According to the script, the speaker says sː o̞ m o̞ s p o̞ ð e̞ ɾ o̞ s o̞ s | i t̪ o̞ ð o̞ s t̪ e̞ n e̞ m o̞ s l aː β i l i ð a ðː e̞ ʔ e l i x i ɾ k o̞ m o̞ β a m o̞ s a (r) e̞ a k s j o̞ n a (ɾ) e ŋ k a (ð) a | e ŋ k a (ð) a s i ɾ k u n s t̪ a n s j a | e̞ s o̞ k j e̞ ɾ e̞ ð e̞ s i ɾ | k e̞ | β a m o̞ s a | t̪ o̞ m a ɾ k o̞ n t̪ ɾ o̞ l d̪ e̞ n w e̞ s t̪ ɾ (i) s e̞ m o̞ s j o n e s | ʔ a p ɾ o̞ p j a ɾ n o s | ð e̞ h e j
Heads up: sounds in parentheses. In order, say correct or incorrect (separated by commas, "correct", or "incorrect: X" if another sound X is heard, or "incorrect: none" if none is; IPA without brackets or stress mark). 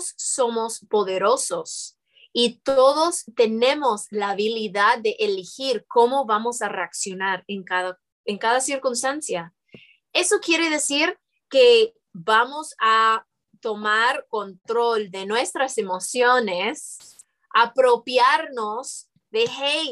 correct, correct, correct, correct, incorrect: a